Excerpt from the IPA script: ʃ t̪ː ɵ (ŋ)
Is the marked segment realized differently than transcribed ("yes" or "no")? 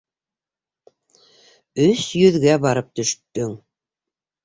no